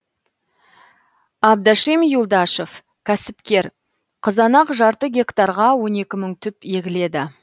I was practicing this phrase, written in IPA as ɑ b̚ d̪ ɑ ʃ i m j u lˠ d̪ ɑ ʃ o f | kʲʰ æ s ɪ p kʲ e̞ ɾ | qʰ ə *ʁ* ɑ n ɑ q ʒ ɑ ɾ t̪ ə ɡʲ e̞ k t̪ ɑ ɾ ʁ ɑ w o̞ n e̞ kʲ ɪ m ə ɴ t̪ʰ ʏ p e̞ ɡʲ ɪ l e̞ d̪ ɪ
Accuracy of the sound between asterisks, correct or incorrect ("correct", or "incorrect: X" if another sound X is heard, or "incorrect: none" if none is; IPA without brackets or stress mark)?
incorrect: z